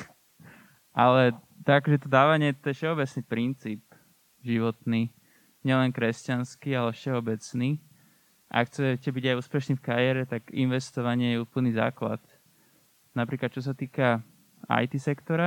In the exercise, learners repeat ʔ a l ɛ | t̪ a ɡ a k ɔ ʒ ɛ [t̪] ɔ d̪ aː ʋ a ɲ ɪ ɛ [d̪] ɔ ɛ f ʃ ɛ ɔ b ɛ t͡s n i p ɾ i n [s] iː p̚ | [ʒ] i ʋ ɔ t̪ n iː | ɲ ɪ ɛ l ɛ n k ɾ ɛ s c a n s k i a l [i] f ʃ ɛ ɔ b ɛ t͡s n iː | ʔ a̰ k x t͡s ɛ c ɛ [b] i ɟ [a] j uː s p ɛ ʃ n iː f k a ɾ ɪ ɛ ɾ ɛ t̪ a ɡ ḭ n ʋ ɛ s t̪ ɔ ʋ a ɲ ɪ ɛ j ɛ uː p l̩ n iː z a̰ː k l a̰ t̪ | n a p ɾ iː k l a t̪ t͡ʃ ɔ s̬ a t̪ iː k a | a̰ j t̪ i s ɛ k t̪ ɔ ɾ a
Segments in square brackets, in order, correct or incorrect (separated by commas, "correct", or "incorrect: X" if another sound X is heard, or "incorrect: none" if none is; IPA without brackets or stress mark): correct, incorrect: t̪, incorrect: t͡s, correct, incorrect: ɛ, correct, correct